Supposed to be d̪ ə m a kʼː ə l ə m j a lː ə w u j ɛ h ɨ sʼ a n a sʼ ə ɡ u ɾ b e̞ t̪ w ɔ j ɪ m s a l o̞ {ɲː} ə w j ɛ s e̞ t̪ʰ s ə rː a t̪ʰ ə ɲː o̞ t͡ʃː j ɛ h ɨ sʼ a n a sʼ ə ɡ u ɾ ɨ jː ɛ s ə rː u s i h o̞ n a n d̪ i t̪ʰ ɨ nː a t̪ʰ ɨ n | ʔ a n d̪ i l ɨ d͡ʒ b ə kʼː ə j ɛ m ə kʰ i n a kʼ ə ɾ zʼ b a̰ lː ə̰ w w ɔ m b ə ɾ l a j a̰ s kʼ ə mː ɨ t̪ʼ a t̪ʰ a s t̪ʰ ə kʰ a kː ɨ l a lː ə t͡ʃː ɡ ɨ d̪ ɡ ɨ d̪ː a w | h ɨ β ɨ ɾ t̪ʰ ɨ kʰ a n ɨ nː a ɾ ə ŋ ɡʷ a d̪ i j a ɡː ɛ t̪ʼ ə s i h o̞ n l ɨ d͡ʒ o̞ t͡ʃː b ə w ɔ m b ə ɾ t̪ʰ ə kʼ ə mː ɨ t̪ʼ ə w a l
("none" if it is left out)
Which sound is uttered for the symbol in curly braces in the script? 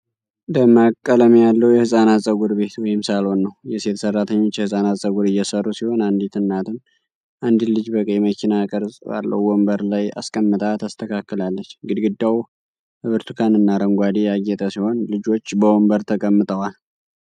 nː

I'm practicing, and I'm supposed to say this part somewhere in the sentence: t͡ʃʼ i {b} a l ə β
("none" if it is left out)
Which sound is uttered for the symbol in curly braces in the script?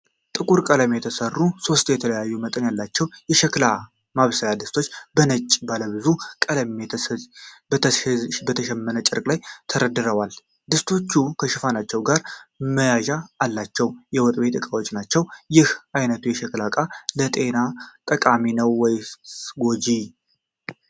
b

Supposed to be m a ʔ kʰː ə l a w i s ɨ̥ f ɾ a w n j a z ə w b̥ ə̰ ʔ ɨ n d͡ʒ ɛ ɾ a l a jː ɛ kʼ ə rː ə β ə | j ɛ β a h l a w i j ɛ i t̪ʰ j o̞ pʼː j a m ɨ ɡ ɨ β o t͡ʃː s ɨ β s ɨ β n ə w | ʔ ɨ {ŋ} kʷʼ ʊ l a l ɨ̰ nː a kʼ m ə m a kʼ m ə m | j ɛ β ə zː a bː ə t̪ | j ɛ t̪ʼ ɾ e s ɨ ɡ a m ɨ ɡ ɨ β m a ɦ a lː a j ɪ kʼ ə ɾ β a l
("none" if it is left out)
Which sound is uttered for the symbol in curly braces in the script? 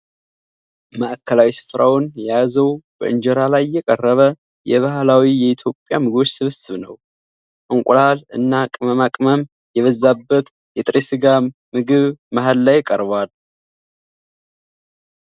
ŋ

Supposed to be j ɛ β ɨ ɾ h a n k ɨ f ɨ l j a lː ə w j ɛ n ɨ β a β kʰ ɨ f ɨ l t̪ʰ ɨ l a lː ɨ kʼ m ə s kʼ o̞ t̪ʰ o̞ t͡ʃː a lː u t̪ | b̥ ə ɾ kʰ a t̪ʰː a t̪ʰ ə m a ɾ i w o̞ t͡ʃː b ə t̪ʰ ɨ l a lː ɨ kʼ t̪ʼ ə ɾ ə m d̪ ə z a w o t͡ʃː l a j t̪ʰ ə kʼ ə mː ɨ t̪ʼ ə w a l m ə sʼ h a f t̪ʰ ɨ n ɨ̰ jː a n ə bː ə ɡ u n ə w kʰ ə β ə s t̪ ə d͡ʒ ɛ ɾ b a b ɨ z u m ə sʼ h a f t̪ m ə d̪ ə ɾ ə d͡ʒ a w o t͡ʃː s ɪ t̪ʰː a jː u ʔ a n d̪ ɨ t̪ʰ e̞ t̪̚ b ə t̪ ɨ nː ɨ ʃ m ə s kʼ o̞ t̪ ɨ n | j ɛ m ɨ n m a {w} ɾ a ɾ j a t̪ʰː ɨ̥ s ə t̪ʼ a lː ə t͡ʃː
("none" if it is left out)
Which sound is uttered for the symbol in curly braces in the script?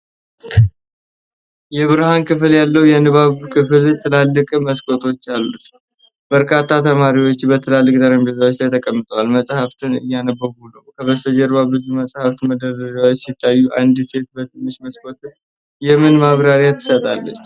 β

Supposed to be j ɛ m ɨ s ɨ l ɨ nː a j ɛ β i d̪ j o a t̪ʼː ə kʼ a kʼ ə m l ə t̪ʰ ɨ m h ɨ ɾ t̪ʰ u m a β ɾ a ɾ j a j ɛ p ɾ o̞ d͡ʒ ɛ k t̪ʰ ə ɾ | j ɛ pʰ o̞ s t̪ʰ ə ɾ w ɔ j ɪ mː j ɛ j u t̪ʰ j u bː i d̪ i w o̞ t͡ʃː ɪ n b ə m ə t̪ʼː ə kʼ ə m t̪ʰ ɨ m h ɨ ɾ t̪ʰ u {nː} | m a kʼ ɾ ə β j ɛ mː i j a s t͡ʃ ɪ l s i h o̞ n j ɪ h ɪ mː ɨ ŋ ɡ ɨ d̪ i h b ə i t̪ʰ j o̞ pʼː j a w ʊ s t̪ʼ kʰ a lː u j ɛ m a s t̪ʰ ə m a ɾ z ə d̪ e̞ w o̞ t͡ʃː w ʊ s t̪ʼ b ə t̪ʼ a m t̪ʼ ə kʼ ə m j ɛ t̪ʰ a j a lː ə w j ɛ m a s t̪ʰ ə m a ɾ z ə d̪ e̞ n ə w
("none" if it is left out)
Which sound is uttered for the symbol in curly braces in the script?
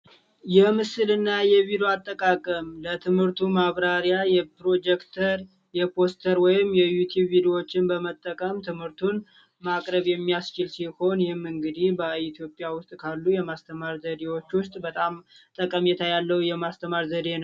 n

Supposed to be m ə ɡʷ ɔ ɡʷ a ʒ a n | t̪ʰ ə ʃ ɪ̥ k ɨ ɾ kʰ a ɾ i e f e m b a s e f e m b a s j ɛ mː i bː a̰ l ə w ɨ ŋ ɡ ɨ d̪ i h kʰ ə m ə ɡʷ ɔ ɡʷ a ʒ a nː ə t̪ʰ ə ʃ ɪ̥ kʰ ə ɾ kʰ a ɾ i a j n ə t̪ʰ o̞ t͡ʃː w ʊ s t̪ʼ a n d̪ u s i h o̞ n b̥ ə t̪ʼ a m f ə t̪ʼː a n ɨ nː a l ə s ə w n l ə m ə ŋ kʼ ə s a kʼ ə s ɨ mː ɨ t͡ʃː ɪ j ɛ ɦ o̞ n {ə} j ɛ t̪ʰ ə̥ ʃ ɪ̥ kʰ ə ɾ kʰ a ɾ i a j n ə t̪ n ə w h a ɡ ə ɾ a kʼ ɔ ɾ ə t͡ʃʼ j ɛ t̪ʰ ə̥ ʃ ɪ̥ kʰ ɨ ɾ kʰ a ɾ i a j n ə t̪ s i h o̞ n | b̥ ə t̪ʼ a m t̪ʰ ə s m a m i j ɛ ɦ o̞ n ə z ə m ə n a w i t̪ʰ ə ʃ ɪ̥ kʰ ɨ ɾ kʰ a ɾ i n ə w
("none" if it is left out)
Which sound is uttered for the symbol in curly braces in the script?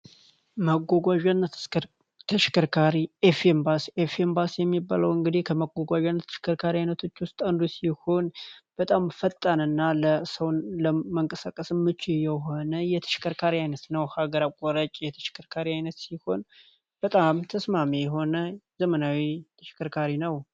ə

